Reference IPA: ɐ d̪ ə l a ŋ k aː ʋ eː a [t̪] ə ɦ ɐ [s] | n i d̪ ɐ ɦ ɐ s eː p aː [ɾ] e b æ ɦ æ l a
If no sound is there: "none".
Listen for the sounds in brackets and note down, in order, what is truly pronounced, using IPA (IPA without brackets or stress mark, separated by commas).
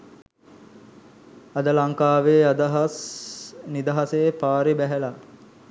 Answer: d̪, s, ɾ